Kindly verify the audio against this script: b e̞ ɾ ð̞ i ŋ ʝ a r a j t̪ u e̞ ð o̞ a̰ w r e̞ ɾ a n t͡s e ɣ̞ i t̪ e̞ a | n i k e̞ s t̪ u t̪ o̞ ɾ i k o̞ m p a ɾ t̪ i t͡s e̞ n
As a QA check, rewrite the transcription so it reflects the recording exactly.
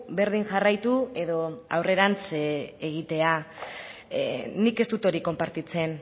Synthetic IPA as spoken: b e̞ ɾ ð̞ i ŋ ʝ a r a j t̪ u e̞ ð o̞ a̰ w r e̞ ɾ a n t͡s e ɣ̞ i t̪ e̞ a | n i k e̞ s t̪ u t̪ o̞ ɾ i k o̞ m p a ɾ t̪ i t͡s e̞ n